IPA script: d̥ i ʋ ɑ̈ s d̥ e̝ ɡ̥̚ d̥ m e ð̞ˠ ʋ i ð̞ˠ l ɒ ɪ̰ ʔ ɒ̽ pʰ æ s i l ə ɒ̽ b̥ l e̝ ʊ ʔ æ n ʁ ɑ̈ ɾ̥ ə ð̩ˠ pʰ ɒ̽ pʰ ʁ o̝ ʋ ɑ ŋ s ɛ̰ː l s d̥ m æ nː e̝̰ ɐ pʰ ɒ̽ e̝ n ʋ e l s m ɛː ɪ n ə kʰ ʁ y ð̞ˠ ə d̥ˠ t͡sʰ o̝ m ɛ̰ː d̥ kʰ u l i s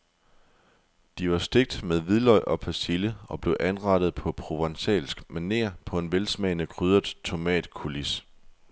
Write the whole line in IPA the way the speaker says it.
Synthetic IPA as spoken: d̥ i ʋ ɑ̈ s d̥ e̝ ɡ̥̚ d̥ m e ð̞ˠ ʋ i ð̞ˠ l ɒ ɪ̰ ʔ ɒ̽ pʰ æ s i l ə ɒ̽ b̥ l e̝ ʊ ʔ æ n ʁ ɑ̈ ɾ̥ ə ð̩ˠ pʰ ɒ̽ pʰ ʁ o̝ ʋ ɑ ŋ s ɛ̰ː l s ɡ̥ m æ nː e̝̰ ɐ pʰ ɒ̽ e̝ n ʋ e l s m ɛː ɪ n ə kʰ ʁ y ð̞ˠ ɐ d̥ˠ t͡sʰ o̝ m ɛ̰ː d̥ kʰ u l i s